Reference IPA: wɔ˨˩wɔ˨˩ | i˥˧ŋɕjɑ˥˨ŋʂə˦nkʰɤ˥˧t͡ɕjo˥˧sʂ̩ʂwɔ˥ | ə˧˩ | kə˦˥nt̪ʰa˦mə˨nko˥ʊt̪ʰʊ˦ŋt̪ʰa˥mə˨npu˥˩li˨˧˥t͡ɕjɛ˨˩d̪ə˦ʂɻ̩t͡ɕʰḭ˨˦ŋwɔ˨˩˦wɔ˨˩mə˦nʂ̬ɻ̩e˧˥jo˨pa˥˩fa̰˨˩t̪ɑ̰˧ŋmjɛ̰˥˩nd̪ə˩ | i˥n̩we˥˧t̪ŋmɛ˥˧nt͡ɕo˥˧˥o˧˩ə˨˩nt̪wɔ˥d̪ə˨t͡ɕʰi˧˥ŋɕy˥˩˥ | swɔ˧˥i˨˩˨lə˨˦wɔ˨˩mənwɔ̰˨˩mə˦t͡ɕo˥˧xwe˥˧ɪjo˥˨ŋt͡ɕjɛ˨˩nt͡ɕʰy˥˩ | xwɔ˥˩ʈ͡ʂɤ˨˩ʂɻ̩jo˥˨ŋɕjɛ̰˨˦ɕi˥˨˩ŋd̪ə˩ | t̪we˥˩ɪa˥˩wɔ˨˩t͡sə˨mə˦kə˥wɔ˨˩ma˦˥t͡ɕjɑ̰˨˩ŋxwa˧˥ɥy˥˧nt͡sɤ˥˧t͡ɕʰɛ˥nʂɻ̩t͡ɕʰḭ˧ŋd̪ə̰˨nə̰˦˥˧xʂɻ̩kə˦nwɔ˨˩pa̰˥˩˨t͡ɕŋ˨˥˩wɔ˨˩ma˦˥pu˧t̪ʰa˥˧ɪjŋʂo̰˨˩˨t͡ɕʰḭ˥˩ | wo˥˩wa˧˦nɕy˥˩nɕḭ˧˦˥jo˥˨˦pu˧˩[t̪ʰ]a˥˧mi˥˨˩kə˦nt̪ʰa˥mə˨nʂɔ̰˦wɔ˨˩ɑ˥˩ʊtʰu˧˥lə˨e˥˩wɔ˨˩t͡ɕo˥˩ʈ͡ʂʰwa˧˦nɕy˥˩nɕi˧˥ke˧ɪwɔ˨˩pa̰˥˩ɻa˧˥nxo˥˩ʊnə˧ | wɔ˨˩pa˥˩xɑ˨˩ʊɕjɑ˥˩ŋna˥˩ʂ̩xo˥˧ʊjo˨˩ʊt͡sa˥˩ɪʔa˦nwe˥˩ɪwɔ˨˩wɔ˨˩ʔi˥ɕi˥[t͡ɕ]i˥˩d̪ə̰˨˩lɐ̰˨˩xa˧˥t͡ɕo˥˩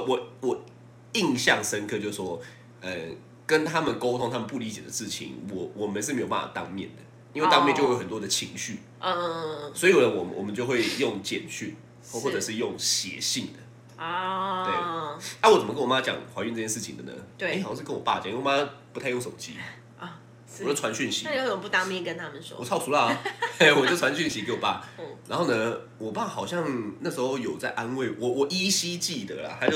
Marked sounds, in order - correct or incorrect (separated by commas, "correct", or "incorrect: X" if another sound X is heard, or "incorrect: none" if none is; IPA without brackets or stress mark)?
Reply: incorrect: t̪, correct